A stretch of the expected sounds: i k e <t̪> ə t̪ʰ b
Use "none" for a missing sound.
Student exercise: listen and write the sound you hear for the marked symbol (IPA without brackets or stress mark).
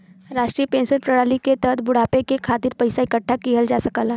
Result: t̪